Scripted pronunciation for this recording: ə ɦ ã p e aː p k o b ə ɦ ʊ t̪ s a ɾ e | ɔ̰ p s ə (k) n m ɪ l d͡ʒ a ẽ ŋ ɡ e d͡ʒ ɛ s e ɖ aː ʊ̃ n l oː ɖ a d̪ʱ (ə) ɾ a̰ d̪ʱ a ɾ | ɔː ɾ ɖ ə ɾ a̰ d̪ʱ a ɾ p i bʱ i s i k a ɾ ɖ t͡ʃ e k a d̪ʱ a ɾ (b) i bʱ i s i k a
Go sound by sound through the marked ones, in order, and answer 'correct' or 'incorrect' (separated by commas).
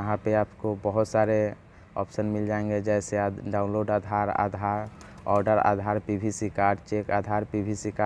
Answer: incorrect, incorrect, incorrect